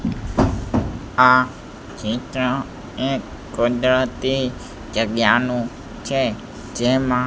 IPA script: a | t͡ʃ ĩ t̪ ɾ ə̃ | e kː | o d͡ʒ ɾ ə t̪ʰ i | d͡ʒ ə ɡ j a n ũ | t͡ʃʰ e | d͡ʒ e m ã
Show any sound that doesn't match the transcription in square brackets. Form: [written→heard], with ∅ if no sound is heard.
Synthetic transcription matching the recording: a | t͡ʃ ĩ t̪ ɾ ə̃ | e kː | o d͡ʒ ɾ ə [t̪ʰ→t̪] i | d͡ʒ ə ɡ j a n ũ | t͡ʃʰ e | d͡ʒ e m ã